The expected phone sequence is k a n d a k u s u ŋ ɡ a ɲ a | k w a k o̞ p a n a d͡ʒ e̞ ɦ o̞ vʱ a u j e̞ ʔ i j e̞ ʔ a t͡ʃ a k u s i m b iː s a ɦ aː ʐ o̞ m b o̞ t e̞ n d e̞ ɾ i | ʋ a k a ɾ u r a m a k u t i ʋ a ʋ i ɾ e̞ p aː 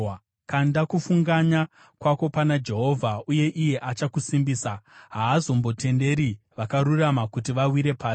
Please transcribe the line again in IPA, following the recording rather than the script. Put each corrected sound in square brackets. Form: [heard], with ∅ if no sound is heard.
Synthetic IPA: k a n d a k u [f] u ŋ ɡ a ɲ a | k w a k o̞ p a n a d͡ʒ e̞ ɦ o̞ vʱ a u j e̞ ʔ i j e̞ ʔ a t͡ʃ a k u s i m b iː s a ɦ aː [z] o̞ m b o̞ t e̞ n d e̞ ɾ i | ʋ a k a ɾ u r a m a k u t i ʋ a [w] i ɾ e̞ p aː